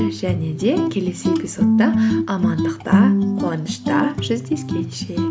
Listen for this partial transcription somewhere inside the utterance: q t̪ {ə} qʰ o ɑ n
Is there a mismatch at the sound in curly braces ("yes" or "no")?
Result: yes